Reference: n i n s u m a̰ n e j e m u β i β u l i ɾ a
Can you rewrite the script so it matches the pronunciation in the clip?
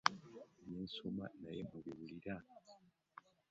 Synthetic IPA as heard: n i n s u m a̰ n a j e m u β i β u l i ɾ a